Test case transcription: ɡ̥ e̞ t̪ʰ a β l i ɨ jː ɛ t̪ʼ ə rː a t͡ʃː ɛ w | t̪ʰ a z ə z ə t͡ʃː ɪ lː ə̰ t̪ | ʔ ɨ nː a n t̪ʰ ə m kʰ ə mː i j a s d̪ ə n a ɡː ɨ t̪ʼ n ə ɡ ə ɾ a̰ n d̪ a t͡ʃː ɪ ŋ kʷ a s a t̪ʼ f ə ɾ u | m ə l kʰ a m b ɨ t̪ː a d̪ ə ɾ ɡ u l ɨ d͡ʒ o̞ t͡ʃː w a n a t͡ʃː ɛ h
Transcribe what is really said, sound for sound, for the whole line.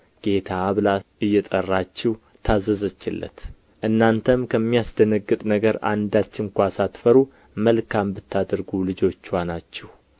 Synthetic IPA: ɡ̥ e̞ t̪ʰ a β l a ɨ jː ɛ t̪ʼ ə rː a t͡ʃː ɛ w | t̪ʰ a z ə z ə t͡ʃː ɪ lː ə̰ t̪ | ʔ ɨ nː a n t̪ʰ ə m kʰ ə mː i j a s d̪ ə n ə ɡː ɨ t̪ʼ n ə ɡ ə ɾ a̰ n d̪ a t͡ʃː ɪ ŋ kʷ a s a t̪ f ə ɾ u | m ə l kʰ a m b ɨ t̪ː a d̪ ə ɾ ɡ u l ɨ d͡ʒ o̞ t͡ʃː w a n a t͡ʃː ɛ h